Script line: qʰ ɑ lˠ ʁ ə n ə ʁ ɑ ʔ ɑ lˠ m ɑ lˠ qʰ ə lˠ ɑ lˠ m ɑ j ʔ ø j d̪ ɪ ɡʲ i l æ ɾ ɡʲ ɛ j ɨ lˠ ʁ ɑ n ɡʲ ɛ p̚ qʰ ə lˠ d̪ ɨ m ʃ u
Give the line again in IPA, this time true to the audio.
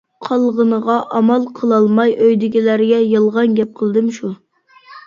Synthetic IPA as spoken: qʰ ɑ lˠ ʁ ə n ə ʁ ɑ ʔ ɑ m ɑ lˠ qʰ ə lˠ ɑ lˠ m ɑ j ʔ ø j d̪ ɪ ɡʲ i l æ ɾ ɡʲ ɛ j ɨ lˠ ʁ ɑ n ɡʲ ɛ p̚ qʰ ə lˠ d̪ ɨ m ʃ u

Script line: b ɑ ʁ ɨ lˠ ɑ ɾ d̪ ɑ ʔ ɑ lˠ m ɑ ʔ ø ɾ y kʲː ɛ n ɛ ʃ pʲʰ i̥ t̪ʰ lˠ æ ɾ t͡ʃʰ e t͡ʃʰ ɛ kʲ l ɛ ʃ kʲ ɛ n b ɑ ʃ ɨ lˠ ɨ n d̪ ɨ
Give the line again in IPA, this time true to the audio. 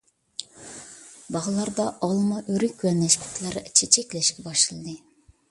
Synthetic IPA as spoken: b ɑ ʁ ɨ lˠ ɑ ɾ d̪ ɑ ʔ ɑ lˠ m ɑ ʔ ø ɾ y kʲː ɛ n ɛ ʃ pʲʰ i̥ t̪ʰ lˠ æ ɾ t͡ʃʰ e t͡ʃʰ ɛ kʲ l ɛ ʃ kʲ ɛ b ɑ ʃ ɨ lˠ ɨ d̪ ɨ

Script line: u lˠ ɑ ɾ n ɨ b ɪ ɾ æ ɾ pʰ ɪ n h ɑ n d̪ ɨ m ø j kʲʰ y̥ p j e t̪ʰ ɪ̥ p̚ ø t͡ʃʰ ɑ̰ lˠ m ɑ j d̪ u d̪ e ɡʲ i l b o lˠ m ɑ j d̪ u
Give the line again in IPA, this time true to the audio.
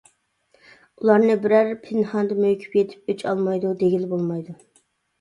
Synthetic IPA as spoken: u lˠ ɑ ɾ n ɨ b ɪ ɾ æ ɾ pʰ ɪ n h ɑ n d̪ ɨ m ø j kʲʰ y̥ p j e t̪ʰ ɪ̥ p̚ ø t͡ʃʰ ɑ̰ lˠ m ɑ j d̪ u d̪ e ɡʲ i l b o lˠ m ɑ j d̪ u

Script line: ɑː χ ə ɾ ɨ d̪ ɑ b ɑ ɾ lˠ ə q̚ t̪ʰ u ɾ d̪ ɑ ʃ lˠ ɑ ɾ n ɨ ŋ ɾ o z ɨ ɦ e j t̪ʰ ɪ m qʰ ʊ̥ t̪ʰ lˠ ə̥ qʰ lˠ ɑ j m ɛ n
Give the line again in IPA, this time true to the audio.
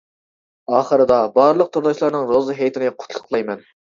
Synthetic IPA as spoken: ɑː χ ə ɾ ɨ d̪ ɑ b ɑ ɾ lˠ ə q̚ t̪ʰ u ɾ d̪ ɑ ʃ lˠ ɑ ɾ n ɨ ŋ ɾ o z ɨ ɦ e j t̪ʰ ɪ n qʰ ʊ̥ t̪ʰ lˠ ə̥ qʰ lˠ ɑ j m ɛ n

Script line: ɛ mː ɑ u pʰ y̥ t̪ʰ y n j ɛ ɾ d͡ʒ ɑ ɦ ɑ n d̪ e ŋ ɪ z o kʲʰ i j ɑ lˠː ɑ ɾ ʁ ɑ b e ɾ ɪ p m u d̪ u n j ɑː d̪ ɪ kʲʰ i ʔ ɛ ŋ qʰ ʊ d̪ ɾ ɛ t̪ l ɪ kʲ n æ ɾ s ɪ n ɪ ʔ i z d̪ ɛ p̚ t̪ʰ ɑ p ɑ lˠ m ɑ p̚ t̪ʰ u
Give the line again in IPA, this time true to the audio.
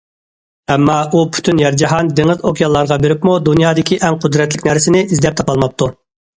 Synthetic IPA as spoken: ɛ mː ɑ u pʰ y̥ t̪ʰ y n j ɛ ɾ d͡ʒ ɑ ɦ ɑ n d̪ e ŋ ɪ z o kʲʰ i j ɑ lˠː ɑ ɾ ʁ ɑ b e ɾ ɪ p m u d̪ u n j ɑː d̪ ɪ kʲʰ i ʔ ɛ ŋ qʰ ʊ d̪ ɾ ɛ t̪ l ɪ kʲ n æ ɾ s ɪ n ɪ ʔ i z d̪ ɛ p̚ t̪ʰ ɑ p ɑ lˠ m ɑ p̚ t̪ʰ u

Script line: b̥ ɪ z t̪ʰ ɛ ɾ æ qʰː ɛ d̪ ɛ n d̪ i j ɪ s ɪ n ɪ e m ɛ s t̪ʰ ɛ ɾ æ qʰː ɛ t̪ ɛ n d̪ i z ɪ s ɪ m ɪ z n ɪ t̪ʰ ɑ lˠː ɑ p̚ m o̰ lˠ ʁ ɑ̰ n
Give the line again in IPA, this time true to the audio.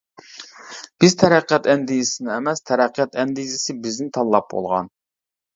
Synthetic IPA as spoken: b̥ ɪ z t̪ʰ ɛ ɾ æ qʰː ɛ t̪ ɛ n d̪ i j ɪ s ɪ n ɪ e m ɛ s t̪ʰ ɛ ɾ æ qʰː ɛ t̪ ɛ n d̪ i z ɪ s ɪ b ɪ z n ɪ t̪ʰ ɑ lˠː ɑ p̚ b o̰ lˠ ʁ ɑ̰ n

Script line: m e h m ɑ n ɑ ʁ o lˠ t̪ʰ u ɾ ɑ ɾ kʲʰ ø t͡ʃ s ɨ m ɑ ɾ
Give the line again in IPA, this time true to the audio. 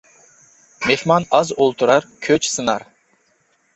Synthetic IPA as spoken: m e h m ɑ n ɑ z o lˠ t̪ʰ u ɾ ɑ ɾ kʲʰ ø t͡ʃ s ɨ n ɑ ɾ

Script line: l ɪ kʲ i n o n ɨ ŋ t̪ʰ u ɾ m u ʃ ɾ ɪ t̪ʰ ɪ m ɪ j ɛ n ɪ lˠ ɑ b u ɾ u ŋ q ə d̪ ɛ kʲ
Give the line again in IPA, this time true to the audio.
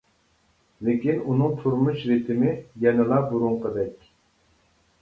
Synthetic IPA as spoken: l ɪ kʲ i n u n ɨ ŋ t̪ʰ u ɾ m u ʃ ɾ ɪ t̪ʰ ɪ m ɪ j ɛ n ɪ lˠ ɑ b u ɾ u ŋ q ə d̪ ɛ kʲ

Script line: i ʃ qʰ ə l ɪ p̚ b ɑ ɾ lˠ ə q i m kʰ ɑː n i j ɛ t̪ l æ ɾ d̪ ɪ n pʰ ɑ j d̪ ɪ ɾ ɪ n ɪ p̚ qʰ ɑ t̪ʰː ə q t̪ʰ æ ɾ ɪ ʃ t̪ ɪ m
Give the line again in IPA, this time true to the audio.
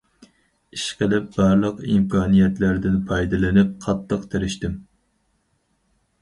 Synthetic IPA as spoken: i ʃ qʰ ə l ɪ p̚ b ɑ ɾ lˠ ə q i m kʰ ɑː n i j ɛ t̪ l æ ɾ d̪ ɪ n pʰ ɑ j d̪ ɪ l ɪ n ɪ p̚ qʰ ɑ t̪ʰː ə q t̪ʰ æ ɾ ɪ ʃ t̪ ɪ m

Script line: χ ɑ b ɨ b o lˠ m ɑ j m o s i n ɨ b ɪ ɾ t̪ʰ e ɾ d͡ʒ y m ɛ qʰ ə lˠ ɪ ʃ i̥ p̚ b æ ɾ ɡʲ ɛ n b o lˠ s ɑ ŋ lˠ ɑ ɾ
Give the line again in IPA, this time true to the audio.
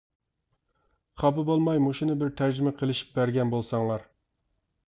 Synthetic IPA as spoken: χ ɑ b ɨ b o lˠ m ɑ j m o ʃ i n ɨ b ɪ ɾ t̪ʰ æ ɾ d͡ʒ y m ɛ qʰ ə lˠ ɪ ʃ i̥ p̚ b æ ɾ ɡʲ ɛ n b o lˠ s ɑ ŋ lˠ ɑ ɾ

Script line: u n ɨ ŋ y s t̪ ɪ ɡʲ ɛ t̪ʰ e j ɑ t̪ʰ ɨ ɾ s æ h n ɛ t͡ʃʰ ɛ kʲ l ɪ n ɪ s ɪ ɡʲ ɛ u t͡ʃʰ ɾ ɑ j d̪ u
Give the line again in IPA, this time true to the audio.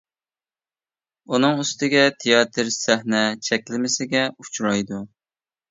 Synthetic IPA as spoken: u n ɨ ŋ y s t̪ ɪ ɡʲ ɛ t̪ʰ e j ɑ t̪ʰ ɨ ɾ s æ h n ɛ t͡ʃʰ ɛ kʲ l ɪ m ɪ s ɪ ɡʲ ɛ u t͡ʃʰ ɾ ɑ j d̪ u

